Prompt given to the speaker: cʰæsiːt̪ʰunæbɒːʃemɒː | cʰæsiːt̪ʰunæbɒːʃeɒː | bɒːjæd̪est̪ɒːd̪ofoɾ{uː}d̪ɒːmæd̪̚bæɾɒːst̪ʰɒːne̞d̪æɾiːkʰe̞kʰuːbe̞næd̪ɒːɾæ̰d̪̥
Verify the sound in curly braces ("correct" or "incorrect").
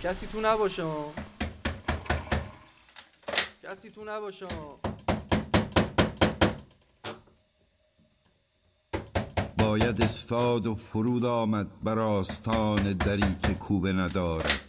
correct